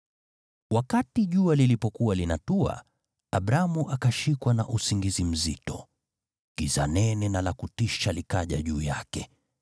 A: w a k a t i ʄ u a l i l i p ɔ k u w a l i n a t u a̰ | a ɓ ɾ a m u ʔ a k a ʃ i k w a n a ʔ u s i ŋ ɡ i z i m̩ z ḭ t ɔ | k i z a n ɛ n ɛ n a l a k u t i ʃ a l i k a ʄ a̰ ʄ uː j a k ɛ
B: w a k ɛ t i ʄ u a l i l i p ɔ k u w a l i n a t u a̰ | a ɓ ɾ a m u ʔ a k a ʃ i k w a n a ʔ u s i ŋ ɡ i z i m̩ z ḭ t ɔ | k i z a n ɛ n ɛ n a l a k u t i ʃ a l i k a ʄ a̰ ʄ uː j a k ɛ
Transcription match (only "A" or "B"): A